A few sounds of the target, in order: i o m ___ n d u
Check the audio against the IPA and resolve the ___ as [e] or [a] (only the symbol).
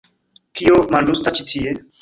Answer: a